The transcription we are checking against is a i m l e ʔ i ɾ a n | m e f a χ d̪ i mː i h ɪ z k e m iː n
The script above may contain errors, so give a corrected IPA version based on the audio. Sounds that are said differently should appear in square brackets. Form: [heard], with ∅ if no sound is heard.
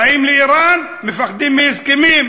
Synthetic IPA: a i m l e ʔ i ɾ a n | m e f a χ d̪ i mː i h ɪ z k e m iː [m]